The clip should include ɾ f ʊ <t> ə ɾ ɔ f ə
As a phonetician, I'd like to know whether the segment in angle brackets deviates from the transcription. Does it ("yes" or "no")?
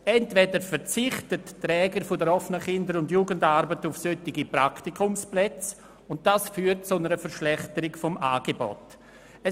yes